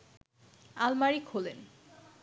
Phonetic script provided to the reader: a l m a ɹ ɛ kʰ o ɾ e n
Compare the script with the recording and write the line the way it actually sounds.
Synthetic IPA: a l m a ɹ i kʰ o l e n